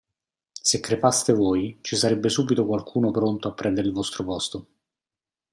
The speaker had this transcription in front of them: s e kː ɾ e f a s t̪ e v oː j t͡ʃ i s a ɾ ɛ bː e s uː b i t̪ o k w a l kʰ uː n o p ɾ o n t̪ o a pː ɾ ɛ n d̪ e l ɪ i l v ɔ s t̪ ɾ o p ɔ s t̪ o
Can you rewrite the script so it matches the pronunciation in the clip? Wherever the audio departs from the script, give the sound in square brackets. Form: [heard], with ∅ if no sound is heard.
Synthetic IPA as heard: s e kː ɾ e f a s t̪ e v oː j t͡ʃ i s a ɾ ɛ bː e s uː b i t̪ o k w a l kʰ uː n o p ɾ o n t̪ o a pː ɾ ɛ n d̪ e [ɾ] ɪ i l v ɔ s t̪ ɾ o p ɔ s t̪ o